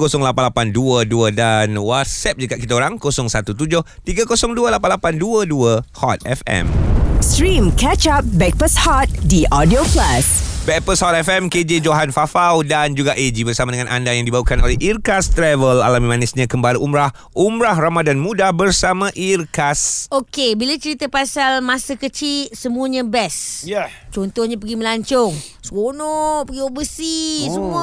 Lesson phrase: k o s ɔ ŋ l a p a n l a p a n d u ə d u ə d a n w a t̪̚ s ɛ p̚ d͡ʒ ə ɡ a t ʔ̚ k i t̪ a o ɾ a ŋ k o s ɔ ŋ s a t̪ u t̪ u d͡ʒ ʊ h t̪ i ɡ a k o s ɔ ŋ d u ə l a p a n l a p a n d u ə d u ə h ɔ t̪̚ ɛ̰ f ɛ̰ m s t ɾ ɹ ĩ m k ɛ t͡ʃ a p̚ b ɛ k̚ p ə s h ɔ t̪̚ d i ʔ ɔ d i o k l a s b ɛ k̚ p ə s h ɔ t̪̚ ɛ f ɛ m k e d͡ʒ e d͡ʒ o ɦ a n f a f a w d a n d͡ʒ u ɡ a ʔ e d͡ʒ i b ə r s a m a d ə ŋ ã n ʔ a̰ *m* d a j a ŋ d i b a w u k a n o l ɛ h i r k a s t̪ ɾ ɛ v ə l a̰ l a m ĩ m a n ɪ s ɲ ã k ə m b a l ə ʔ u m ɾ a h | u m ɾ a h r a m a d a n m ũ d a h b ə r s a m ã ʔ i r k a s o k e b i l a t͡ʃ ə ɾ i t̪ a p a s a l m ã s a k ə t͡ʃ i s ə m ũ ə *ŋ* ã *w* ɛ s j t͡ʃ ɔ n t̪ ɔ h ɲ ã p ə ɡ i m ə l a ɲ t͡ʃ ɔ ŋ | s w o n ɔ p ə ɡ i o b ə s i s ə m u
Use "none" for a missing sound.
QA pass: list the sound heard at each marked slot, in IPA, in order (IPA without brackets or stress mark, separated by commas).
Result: n, ɲ, b